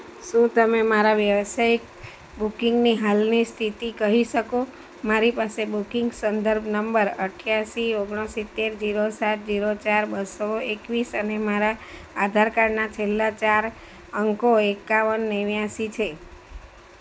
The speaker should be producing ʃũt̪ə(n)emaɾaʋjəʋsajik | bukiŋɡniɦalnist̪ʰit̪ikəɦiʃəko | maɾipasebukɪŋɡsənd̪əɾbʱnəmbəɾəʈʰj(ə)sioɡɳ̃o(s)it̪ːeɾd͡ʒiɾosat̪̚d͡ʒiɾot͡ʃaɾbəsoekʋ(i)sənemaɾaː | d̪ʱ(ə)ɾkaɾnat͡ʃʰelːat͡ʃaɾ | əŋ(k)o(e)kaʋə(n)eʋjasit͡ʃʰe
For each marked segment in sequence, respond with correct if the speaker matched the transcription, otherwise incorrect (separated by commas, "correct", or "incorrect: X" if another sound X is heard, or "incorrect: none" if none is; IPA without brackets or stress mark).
incorrect: m, incorrect: a, correct, correct, incorrect: a, correct, correct, incorrect: nː